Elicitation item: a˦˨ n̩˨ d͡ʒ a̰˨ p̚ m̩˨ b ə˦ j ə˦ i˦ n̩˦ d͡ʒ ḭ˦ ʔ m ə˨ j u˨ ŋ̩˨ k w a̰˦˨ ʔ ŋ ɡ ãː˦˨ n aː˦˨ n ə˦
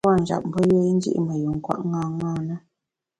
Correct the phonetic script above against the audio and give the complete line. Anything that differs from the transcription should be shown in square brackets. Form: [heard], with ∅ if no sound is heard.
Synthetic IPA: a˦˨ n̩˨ d͡ʒ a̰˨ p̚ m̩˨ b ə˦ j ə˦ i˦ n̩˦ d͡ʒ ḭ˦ ʔ m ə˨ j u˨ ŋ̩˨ k w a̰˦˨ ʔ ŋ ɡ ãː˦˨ [ŋ] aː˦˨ n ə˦